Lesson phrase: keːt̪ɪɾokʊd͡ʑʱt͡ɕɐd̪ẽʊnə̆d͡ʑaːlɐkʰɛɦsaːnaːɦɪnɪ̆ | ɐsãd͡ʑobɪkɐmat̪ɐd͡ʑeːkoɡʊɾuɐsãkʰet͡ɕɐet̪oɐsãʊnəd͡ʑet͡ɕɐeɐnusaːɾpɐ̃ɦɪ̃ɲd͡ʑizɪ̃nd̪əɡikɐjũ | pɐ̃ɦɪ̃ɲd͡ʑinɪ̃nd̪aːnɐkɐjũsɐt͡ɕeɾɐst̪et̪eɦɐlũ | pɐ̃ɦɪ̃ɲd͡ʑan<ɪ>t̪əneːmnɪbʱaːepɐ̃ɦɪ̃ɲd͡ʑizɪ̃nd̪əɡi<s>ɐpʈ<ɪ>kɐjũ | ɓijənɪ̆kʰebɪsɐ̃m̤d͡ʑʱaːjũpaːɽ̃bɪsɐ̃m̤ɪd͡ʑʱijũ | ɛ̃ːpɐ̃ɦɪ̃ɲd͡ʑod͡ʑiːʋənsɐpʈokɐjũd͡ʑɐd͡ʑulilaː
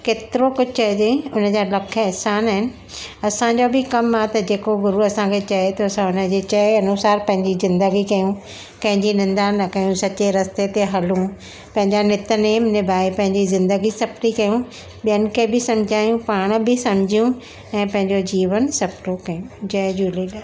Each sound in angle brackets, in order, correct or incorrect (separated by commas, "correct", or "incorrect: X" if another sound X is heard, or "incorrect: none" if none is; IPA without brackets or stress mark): correct, correct, incorrect: i